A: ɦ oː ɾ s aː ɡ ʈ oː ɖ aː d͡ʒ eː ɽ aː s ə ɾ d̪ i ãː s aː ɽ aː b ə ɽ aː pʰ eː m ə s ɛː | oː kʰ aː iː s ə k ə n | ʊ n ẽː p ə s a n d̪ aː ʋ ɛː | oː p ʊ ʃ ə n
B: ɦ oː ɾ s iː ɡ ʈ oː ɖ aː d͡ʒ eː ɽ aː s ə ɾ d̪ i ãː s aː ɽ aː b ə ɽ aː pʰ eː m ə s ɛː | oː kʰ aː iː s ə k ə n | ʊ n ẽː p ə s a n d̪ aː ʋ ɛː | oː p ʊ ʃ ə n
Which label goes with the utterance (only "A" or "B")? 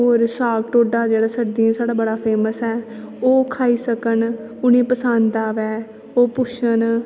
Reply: A